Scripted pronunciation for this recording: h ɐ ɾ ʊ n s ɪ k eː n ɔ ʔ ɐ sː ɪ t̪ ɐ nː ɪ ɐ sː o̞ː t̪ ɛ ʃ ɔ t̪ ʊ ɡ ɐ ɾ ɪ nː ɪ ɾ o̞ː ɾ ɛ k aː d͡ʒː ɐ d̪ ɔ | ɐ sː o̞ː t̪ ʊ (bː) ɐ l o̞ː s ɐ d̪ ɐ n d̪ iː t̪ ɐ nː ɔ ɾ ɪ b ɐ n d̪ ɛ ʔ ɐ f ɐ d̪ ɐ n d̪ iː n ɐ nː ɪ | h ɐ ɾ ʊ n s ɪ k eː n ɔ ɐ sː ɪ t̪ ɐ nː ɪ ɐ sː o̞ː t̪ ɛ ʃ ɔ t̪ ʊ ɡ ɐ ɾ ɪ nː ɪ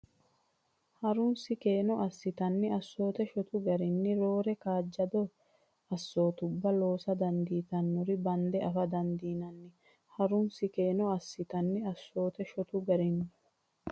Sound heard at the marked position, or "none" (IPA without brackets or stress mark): bː